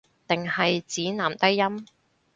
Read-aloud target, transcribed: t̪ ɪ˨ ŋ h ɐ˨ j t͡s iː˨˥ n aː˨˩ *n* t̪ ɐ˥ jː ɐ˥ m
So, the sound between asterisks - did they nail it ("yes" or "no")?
no